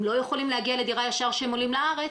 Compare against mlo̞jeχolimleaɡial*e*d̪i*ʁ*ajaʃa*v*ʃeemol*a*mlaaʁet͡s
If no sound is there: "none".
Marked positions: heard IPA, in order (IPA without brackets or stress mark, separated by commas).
e, ʁ, ʁ, i